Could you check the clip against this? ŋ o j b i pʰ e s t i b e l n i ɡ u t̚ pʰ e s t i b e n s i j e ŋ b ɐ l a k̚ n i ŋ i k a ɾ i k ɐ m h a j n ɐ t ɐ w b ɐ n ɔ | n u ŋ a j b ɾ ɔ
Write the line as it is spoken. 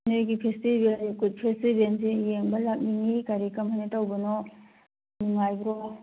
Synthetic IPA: n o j ɡ i pʰ e s t i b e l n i k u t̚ pʰ e s t i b e n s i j e ŋ b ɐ l a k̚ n i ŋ i k a ɾ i k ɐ m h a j n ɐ t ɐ w b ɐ n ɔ | n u ŋ a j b ɾ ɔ